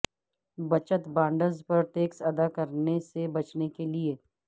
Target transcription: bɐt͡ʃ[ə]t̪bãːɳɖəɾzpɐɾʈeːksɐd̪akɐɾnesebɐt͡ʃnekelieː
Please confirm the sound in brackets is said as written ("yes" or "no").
yes